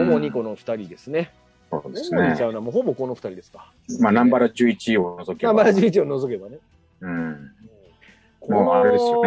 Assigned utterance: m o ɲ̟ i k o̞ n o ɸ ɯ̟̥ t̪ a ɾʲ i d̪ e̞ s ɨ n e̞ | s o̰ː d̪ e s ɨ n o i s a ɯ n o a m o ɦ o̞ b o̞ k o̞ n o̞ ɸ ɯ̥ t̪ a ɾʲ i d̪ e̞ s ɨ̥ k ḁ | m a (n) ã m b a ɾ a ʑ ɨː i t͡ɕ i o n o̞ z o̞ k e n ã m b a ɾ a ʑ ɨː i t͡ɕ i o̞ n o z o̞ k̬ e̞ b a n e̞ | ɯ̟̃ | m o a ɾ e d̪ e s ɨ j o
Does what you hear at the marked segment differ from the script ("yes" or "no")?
no